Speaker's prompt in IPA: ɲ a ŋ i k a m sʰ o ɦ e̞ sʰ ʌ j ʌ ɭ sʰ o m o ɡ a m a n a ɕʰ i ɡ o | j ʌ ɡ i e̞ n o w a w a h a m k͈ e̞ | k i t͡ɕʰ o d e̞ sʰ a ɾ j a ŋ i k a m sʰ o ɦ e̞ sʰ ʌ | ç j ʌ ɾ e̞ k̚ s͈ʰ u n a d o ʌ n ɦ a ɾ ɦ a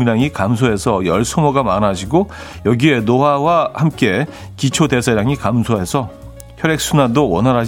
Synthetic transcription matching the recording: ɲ a ŋ i k a m sʰ o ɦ e̞ sʰ ʌ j ʌ ɭ sʰ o m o ɡ a m a n a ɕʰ i ɡ o | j ʌ ɡ i e̞ n o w a w a h a m k͈ e̞ | k i t͡ɕʰ o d e̞ sʰ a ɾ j a ŋ i k a m sʰ o ɦ e̞ sʰ ʌ | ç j ʌ ɾ e̞ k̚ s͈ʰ u n a d o ʌ n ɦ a ɾ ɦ a